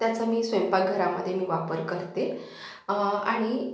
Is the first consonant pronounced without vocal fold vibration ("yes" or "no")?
yes